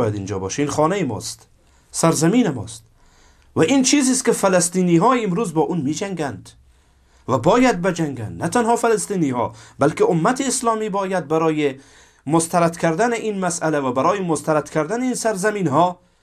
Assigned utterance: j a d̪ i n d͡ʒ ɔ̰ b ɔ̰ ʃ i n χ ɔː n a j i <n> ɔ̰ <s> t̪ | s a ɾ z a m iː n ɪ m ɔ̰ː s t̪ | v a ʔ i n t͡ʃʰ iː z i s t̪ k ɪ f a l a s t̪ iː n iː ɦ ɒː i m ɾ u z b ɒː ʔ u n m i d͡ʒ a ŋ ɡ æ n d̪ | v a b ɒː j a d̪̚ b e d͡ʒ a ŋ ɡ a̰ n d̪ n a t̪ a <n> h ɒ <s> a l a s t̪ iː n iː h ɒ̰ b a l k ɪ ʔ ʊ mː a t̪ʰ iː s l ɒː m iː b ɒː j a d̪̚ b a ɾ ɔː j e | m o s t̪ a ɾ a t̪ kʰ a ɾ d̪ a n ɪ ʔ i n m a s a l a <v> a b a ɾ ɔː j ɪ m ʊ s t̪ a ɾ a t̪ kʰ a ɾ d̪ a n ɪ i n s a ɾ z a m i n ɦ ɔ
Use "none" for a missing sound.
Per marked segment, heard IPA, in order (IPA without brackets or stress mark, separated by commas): m, s, n, f, v